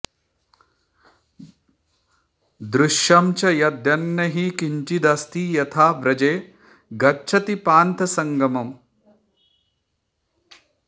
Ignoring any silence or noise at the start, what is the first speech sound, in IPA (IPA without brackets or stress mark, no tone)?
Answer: d̪